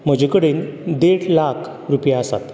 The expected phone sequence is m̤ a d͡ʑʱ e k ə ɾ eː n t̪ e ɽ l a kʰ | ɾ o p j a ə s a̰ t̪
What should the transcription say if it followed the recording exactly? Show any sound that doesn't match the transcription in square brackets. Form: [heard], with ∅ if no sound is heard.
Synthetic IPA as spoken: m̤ [ə] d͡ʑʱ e k ə [ɽ] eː n [d̪] e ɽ l a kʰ | ɾ [u] p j a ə s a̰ t̪